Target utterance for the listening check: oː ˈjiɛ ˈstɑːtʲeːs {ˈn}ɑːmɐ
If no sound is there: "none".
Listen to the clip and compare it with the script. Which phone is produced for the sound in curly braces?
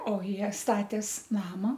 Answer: n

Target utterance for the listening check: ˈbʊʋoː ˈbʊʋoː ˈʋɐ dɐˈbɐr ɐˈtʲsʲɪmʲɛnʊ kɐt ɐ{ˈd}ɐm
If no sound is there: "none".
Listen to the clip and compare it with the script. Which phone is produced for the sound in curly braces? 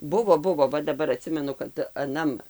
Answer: n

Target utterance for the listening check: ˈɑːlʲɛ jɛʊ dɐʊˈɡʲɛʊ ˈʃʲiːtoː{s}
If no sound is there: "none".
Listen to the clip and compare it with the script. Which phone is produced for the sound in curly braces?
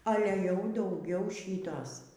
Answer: s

